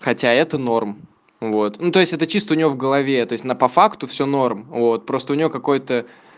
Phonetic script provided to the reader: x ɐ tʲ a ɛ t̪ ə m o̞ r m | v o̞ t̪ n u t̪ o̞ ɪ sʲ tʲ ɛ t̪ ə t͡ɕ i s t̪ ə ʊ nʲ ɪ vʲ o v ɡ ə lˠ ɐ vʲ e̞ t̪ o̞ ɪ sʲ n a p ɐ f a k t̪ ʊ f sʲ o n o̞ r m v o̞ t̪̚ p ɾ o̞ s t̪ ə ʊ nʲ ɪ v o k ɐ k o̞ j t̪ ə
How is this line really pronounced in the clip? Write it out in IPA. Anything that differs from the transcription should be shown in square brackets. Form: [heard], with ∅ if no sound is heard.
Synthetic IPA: x ɐ tʲ a ɛ t̪ ə [n] o̞ r m | v o̞ t̪ n u t̪ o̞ ɪ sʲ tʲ ɛ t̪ ə t͡ɕ i s t̪ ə ʊ nʲ ɪ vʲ o v ɡ ə lˠ ɐ vʲ e̞ t̪ o̞ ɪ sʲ n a p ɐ f a k t̪ ʊ f sʲ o n o̞ r m v o̞ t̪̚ p ɾ o̞ s t̪ ə ʊ nʲ ɪ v o k ɐ k o̞ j t̪ ə

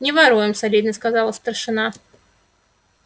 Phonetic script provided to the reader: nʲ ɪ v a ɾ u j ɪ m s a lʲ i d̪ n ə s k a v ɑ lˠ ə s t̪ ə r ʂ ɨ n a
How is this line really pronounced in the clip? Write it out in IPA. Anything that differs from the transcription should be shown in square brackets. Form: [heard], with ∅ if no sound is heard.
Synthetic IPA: nʲ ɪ v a ɾ u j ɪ m s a lʲ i d̪ n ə s k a [z] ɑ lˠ ə s t̪ ə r ʂ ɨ n a

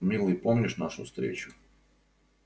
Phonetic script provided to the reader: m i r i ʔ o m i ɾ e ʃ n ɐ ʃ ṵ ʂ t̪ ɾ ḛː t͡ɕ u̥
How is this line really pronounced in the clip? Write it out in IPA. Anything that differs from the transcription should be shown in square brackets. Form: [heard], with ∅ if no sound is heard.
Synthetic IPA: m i [l] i [p] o m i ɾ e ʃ n [a] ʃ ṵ [s] t̪ ɾ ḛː t͡ɕ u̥

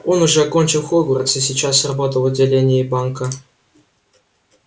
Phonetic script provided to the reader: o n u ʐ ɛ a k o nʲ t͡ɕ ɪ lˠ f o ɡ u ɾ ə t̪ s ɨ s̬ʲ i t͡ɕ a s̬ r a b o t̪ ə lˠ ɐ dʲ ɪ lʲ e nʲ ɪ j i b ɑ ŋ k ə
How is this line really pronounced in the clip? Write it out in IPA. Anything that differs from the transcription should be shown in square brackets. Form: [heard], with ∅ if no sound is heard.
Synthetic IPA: o n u ʐ ɛ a k o nʲ t͡ɕ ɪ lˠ [x] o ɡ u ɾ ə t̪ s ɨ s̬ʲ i t͡ɕ a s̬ r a b o t̪ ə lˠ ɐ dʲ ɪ lʲ e nʲ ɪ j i b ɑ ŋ k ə

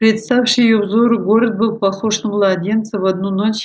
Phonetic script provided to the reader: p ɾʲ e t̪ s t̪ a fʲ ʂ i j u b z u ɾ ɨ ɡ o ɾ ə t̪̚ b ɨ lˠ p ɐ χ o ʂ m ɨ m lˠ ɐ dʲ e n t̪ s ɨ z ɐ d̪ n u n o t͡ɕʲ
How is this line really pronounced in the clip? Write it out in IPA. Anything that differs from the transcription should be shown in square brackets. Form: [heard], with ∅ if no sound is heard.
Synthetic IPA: p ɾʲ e t̪ s t̪ a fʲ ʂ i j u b z [o] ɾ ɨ ɡ o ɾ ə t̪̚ b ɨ lˠ p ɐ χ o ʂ [n] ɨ m lˠ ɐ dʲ e n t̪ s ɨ [v] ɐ d̪ n u n o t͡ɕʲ

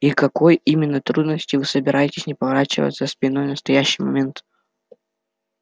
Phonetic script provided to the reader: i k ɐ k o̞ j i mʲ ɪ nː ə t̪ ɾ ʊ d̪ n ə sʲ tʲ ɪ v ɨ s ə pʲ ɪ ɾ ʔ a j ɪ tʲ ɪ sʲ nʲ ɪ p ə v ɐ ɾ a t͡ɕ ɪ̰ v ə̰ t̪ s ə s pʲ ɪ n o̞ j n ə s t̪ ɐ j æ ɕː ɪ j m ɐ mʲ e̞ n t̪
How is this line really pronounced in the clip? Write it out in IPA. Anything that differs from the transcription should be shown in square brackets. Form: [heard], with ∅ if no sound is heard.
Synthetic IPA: i k ɐ k o̞ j i mʲ ɪ nː ə t̪ ɾ [u] d̪ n ə sʲ tʲ ɪ v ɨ s ə [bʲ] ɪ ɾ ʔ a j ɪ tʲ ɪ sʲ nʲ ɪ p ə v ɐ ɾ a t͡ɕ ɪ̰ v ə̰ t̪ s ə s pʲ ɪ n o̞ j n ə s t̪ ɐ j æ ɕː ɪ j m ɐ mʲ e̞ n t̪

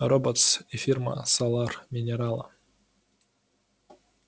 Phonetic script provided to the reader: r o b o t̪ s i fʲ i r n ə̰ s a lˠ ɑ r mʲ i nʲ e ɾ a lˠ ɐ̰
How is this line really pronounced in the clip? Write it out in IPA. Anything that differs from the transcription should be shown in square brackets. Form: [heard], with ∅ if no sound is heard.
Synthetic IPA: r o b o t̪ s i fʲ i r [m] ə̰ s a lˠ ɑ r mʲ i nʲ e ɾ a lˠ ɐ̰

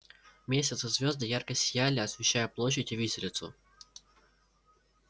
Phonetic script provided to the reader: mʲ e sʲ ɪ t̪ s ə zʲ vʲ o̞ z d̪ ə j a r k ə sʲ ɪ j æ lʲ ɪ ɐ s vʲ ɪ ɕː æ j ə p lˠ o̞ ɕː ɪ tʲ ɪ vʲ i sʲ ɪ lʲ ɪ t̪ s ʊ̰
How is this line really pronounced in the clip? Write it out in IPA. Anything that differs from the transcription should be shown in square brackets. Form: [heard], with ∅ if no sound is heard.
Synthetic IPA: mʲ e sʲ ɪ t̪ s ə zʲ vʲ o̞ z d̪ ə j a r k ə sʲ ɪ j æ lʲ ɪ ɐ s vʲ ɪ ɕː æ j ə p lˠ o̞ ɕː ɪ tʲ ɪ vʲ i sʲ ɪ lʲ ɪ t̪ s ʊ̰

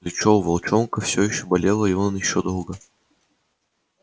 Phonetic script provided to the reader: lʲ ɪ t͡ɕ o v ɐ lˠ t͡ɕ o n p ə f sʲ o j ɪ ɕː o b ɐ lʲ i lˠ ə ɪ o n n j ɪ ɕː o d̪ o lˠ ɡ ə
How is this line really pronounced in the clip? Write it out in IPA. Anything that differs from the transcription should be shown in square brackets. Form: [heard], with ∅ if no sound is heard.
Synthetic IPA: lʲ ɪ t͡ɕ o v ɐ lˠ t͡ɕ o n [k] ə f sʲ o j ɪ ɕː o b ɐ lʲ [e] lˠ ə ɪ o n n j ɪ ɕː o d̪ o lˠ ɡ ə

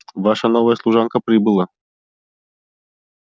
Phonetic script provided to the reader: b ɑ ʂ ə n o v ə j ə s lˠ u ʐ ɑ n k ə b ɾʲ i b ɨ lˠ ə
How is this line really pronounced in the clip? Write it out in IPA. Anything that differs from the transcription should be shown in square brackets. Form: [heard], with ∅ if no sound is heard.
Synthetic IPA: [v] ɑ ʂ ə n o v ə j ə s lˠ u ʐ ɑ n k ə [p] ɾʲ i b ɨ lˠ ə

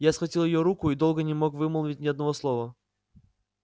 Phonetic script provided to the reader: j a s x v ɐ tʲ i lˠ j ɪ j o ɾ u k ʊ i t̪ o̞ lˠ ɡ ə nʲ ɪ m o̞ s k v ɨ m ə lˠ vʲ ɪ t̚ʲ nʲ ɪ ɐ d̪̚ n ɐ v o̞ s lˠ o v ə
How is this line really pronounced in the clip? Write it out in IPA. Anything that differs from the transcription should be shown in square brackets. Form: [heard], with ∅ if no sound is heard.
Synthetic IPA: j a s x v ɐ tʲ i lˠ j ɪ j o ɾ u k ʊ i [d̪] o̞ lˠ ɡ ə nʲ ɪ m o̞ [∅] k v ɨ m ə lˠ vʲ ɪ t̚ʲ nʲ ɪ ɐ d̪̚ n ɐ v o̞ s lˠ o v ə

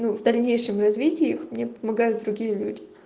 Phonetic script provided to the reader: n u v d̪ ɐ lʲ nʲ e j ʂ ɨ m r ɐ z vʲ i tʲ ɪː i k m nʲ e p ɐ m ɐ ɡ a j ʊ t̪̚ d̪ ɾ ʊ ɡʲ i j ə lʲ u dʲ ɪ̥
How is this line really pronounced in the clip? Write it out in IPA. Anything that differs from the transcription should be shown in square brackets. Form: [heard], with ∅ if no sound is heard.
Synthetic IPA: n u v d̪ ɐ lʲ nʲ e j ʂ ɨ m r ɐ z vʲ i tʲ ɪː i [x] m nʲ e p [ə] m ɐ ɡ a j ʊ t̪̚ d̪ ɾ ʊ ɡʲ i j ə lʲ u dʲ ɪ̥

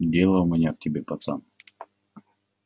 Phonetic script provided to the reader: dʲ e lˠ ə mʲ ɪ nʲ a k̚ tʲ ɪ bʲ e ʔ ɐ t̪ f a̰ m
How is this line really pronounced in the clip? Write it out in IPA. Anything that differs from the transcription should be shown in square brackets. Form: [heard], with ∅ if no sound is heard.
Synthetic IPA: dʲ e lˠ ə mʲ ɪ nʲ a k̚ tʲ ɪ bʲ e [p] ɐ t̪ [s] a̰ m

